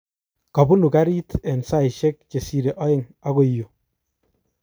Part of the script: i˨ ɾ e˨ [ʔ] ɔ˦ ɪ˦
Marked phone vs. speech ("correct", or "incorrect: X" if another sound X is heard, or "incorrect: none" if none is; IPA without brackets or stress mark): correct